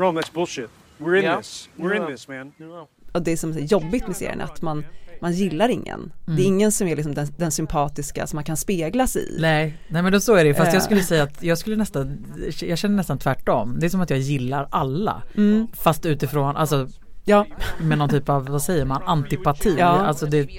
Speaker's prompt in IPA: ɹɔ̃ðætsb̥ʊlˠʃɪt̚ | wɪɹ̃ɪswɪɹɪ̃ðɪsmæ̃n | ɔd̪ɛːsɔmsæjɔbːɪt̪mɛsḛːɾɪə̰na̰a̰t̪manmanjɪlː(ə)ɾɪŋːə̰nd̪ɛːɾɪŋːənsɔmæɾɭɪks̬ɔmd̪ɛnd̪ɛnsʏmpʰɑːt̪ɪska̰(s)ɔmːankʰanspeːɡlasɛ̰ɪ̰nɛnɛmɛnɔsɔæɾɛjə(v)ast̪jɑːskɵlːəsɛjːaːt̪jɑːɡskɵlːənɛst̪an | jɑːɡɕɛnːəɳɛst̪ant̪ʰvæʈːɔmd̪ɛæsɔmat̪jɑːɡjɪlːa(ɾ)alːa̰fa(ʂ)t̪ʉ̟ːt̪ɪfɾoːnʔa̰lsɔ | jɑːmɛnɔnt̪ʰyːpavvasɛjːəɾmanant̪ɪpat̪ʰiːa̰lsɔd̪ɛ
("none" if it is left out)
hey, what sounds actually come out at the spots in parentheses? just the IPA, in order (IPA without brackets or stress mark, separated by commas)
a, s, f, ɾ, s